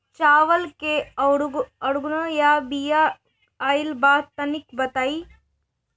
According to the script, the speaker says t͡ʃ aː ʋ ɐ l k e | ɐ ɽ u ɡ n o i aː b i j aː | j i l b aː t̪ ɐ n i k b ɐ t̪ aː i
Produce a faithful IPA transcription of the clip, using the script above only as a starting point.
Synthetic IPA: t͡ʃ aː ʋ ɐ l k e | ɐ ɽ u ɡ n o j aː b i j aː | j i l b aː t̪ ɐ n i k b ɐ t̪ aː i